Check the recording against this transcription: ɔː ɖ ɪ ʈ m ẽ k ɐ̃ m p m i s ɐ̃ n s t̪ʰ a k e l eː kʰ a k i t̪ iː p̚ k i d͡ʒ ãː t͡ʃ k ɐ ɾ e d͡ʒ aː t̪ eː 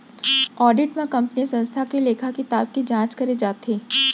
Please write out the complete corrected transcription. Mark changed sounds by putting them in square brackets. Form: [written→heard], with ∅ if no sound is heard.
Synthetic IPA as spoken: ɔː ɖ ɪ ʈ m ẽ k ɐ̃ m p [m→n] i s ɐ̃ n s t̪ʰ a k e l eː kʰ a k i t̪ [iː→aː] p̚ k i d͡ʒ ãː t͡ʃ k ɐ ɾ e d͡ʒ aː t̪ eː